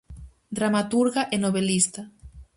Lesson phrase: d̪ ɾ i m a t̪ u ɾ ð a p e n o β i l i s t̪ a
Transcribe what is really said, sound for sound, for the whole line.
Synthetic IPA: d̪ ɾ a m a t̪ u ɾ ɣ a ʔ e n o β e l i s t̪ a